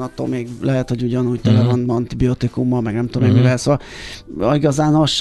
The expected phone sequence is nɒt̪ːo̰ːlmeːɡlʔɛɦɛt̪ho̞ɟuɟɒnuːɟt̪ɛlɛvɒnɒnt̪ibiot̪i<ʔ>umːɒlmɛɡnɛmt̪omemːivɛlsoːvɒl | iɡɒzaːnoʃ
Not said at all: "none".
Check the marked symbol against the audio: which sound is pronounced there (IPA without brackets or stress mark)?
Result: k